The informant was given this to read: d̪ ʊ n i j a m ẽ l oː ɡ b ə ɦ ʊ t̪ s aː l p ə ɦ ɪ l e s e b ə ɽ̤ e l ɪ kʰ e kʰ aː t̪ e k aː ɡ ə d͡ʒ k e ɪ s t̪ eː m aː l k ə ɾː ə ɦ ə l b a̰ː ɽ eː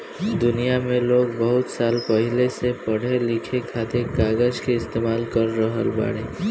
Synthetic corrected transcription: d̪ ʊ n i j a m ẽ l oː ɡ b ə ɦ ʊ t̪ s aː l p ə ɦ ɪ l e s e p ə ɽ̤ e l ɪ kʰ e kʰ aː t̪ e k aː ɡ ə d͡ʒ k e ɪ s t̪ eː m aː l k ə ɾː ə ɦ ə l b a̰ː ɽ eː

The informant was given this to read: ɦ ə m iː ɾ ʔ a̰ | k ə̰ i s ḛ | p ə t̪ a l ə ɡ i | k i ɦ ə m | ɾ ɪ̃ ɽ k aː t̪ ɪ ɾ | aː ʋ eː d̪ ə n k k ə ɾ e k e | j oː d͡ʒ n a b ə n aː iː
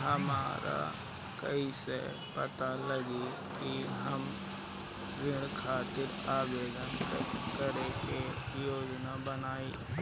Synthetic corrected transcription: ɦ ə m aː ɾ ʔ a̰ | k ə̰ i s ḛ | p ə t̪ a l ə ɡ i | k i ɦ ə m | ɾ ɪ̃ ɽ kʰ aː t̪ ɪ ɾ | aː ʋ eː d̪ ə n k k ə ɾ e k e | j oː d͡ʒ n a b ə n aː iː

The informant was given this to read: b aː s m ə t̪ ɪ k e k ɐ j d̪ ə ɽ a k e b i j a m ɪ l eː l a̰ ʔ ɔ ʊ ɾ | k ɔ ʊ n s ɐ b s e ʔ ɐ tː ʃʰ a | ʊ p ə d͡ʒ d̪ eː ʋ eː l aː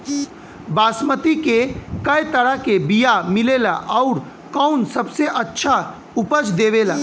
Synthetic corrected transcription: b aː s m ə t̪ i k e k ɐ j t̪ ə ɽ a k e b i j a m ɪ l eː l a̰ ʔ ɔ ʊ ɾ | k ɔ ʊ n s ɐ b s e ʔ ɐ tː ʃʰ a | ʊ p ə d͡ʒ d̪ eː ʋ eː l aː

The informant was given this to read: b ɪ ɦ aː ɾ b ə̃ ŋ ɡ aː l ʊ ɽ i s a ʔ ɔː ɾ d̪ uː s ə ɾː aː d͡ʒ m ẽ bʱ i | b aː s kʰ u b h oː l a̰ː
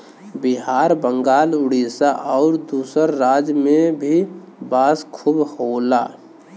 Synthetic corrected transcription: b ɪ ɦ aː ɾ b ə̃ ŋ ɡ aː l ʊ ɽ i s a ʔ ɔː ɾ d̪ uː s ə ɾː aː d͡ʒ m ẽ bʱ i | b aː s kʰ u b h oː l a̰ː

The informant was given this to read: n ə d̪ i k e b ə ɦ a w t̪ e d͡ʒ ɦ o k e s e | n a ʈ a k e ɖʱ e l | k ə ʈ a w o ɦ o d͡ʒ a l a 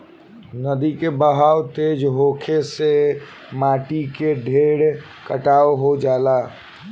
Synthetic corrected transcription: n ə d̪ i k e b ə ɦ a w t̪ e d͡ʒ ɦ o kʰ e s e | m a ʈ i k e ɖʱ e ɽ | k ə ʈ a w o ɦ o d͡ʒ a l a

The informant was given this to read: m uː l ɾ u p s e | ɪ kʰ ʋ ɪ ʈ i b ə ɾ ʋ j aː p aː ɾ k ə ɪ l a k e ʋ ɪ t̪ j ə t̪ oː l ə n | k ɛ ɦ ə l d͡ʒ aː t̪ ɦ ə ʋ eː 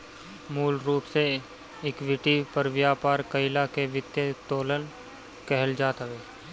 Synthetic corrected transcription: m uː l ɾ uː p s e | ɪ k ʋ ɪ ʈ i p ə ɾ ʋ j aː p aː ɾ k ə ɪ l a k e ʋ ɪ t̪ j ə t̪ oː l ə n | k ɛ ɦ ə l d͡ʒ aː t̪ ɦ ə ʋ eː

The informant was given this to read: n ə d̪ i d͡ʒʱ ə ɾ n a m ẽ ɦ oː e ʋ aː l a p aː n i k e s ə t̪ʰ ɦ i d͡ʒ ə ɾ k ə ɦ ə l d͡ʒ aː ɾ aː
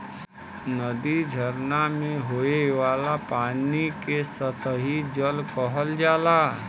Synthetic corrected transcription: n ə d̪ i d͡ʒʱ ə ɾ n a m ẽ ɦ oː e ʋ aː l a p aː n i k e s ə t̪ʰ ɦ i d͡ʒ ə l k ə ɦ ə l d͡ʒ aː l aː

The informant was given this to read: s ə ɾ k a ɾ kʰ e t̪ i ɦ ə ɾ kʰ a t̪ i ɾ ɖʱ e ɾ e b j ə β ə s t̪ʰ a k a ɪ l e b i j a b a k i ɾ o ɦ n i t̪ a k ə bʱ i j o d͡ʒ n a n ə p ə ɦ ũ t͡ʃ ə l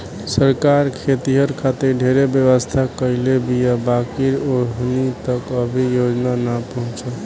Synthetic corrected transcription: s ə ɾ k a ɾ kʰ e t̪ i ɦ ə ɾ kʰ a t̪ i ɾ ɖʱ e ɾ e b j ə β ə s t̪ʰ a k ə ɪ l e b i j a b a k i ɾ o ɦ n i t̪ ə k ə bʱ i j o d͡ʒ n a n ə p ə ɦ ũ t͡ʃ ə l

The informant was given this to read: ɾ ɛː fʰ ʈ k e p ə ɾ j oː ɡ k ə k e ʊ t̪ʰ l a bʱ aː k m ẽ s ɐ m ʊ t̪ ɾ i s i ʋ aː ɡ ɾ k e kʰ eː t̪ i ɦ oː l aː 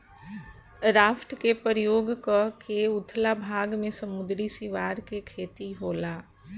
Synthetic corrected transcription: ɾ aː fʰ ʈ k e p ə ɾ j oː ɡ k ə k e ʊ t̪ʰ l a bʱ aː ɡ m ẽ s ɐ m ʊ d̪ ɾ i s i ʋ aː ɾ k e kʰ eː t̪ i ɦ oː l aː

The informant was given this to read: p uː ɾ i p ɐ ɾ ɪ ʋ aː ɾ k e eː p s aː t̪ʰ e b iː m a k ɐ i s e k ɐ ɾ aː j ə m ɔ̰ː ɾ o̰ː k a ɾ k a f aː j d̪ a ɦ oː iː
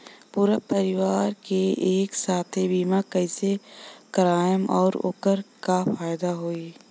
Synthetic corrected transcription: p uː ɾ a p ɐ ɾ ɪ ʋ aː ɾ k e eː k s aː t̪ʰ e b iː m a k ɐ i s e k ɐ ɾ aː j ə m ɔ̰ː ɾ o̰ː k ə ɾ k a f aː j d̪ a ɦ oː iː

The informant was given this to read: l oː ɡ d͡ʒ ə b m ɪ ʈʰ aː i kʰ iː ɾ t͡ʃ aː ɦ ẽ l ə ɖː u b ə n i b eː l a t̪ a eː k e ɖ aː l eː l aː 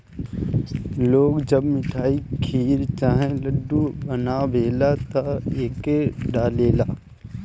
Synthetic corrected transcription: l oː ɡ d͡ʒ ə b m ɪ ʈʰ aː i kʰ iː ɾ t͡ʃ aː ɦ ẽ l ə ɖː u b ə n a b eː l a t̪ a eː k e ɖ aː l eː l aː

